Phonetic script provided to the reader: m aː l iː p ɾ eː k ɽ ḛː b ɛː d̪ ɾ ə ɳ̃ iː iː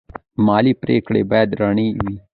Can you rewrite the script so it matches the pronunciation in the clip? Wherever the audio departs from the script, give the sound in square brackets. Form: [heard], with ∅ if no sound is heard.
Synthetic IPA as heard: m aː l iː p ɾ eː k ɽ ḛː b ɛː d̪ ɾ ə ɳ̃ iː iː